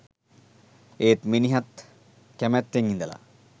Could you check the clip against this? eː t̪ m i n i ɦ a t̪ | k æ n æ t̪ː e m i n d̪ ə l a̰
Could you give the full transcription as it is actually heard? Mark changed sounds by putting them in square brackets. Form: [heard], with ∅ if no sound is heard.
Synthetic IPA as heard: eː t̪ m i n i ɦ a t̪ | k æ [m] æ t̪ː e [ŋ] i n d̪ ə l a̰